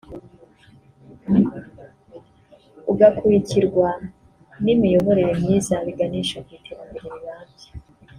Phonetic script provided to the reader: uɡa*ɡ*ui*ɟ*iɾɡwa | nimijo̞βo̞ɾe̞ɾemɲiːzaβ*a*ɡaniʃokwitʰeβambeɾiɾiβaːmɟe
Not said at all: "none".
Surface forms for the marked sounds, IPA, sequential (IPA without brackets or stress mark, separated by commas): k, c, i